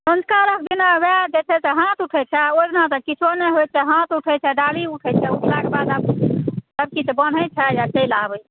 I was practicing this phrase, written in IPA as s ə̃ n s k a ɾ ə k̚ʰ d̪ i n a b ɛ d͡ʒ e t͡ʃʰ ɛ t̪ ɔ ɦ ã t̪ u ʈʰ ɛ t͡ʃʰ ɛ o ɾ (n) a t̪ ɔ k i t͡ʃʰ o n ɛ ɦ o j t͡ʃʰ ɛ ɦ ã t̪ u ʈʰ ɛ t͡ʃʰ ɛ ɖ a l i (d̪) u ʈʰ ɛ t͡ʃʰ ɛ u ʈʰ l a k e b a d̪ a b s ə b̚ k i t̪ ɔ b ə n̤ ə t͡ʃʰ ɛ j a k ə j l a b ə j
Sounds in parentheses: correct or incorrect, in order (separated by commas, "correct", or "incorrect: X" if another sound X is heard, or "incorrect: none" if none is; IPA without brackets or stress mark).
correct, incorrect: none